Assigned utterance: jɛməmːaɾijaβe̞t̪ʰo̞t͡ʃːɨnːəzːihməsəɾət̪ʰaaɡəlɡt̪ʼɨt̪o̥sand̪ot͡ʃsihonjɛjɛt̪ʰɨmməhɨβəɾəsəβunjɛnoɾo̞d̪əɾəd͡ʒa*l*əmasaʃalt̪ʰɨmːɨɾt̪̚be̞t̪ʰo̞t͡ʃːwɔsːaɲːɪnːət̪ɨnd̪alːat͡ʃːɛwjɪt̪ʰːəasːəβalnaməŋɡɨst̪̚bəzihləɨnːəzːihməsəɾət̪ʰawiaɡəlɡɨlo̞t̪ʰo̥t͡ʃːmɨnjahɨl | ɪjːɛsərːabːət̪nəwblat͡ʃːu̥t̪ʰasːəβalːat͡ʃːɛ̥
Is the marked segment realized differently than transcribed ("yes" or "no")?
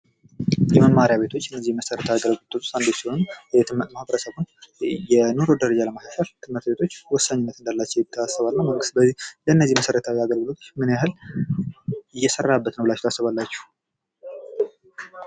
no